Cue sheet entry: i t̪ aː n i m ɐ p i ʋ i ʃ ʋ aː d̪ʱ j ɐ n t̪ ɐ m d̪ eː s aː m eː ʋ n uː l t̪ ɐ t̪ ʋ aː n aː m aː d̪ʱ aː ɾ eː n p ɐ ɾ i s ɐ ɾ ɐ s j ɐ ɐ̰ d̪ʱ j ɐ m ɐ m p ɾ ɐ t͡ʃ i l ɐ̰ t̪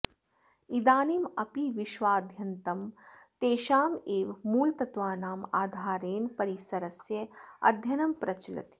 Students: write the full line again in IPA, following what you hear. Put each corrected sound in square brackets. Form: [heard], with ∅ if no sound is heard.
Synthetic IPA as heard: i [d̪] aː n i m ɐ p i ʋ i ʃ ʋ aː d̪ʱ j ɐ n t̪ ɐ m [t̪] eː [ʃ] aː m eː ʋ [m] uː l t̪ ɐ t̪ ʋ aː n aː m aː d̪ʱ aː ɾ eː n p ɐ ɾ i s ɐ ɾ ɐ s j ɐ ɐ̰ d̪ʱ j ɐ [n] ɐ m p ɾ ɐ t͡ʃ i l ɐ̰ t̪